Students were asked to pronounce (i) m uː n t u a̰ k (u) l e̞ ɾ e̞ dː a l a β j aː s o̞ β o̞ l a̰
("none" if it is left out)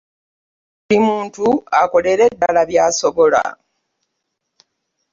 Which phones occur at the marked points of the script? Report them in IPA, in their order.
i, o

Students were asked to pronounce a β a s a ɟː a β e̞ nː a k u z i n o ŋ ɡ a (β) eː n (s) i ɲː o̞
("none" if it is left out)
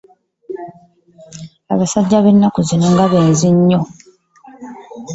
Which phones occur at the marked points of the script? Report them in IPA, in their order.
β, z

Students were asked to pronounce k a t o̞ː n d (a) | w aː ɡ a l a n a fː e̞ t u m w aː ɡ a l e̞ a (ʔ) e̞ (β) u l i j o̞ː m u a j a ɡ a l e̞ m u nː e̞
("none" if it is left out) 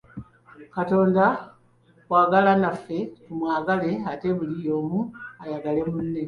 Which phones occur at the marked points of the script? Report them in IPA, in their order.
a, t, β

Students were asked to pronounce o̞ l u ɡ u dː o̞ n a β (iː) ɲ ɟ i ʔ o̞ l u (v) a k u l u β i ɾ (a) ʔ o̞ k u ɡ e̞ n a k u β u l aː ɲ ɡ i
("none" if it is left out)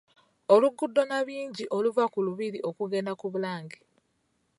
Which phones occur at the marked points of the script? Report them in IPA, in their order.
iː, v, i

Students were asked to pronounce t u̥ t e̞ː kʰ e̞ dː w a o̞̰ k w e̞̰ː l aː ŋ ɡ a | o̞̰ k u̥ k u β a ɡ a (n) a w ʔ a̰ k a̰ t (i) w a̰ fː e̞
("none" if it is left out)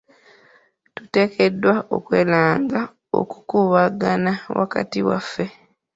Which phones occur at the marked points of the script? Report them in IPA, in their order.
n, i

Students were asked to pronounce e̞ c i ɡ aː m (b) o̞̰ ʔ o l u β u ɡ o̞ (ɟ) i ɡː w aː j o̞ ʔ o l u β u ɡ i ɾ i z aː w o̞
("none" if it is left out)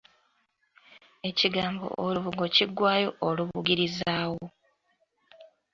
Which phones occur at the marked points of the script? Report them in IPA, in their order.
b, c

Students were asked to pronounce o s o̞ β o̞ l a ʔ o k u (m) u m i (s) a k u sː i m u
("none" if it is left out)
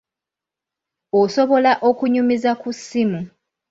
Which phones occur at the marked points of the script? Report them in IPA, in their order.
ɲ, z

